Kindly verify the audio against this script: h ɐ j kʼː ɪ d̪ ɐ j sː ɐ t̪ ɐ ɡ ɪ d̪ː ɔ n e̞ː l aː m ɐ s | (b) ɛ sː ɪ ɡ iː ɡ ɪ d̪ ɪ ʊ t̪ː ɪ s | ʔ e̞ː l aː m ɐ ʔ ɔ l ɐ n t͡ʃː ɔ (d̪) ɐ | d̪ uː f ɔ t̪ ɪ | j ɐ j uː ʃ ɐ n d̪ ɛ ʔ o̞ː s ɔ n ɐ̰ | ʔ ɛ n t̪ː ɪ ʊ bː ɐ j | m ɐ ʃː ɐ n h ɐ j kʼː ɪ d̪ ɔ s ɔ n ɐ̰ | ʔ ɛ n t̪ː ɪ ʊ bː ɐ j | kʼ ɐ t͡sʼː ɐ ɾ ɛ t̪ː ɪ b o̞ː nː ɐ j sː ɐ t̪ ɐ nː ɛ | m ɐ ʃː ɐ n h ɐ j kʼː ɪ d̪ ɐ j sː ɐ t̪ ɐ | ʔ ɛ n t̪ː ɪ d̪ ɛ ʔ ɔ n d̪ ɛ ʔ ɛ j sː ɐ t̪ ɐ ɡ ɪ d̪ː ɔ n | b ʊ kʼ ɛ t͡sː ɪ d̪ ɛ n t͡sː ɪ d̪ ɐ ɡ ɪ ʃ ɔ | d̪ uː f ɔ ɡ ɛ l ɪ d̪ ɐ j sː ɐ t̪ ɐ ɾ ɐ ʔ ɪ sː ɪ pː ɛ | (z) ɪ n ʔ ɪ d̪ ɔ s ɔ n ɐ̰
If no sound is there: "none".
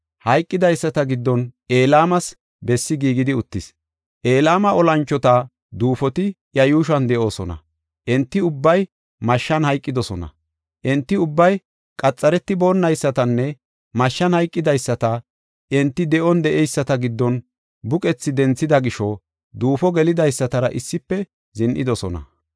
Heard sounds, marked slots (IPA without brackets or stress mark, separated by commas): b, t̪, z